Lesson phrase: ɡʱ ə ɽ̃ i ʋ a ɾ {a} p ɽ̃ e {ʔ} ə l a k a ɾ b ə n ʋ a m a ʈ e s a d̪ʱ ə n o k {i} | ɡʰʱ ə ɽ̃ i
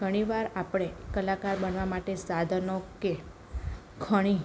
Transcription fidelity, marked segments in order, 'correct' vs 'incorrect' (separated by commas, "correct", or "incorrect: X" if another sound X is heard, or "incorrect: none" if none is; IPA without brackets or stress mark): correct, incorrect: k, incorrect: e